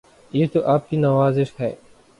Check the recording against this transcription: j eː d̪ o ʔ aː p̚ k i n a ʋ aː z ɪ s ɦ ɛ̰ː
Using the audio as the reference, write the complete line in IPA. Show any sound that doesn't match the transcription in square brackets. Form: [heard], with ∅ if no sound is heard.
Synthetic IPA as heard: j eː [t̪] o ʔ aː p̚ k i n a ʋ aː z ɪ [ʃ] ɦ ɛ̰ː